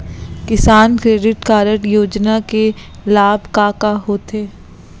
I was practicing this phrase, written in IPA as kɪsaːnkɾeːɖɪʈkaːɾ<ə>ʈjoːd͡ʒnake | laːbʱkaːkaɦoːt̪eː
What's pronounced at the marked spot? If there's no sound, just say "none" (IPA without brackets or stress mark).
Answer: ə